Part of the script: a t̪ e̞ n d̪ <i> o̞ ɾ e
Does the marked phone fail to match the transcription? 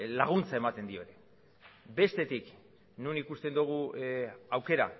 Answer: no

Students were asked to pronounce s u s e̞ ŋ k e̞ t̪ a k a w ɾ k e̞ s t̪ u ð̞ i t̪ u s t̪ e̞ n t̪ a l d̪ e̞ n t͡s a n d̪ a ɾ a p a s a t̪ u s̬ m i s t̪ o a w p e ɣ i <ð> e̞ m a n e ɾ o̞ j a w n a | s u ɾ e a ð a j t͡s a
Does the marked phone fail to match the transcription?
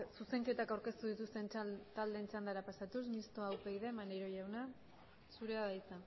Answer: no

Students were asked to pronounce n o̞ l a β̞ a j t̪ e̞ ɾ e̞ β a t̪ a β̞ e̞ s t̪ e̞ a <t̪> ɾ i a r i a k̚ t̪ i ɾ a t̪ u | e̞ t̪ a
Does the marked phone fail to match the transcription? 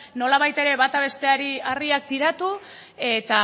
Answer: yes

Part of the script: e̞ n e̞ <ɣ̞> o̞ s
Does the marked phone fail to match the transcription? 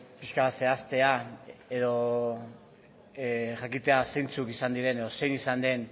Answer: yes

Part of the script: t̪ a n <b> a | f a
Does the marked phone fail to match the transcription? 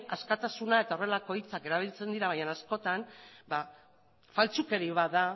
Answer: no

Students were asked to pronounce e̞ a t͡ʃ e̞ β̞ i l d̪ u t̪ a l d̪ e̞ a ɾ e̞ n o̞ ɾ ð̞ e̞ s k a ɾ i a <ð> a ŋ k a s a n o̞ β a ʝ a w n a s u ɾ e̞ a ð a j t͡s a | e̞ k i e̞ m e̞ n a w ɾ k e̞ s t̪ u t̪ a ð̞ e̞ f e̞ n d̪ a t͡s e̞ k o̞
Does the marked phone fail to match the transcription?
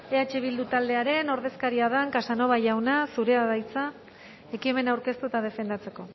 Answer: no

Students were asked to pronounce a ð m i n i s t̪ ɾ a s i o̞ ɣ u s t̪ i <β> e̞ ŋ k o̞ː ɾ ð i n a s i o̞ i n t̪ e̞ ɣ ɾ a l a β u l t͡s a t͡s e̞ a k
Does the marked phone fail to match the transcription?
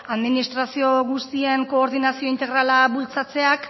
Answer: yes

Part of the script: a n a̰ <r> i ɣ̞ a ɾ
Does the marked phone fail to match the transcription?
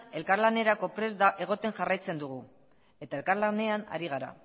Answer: yes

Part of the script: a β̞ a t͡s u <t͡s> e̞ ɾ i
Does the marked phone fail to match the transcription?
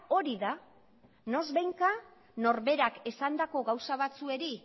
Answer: yes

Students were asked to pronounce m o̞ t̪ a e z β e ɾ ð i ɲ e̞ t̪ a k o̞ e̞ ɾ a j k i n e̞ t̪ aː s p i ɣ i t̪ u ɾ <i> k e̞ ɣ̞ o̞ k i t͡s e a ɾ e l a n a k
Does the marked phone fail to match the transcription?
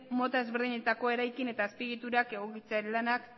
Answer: yes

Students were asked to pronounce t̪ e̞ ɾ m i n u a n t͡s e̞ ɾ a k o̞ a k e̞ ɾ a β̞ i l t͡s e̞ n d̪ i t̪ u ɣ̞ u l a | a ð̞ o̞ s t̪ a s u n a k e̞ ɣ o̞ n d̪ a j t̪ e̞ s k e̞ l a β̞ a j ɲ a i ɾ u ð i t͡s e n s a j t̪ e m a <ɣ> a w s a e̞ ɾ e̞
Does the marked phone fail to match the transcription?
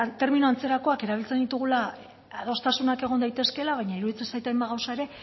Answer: no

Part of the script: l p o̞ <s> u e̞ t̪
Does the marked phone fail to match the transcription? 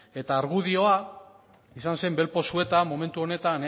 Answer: no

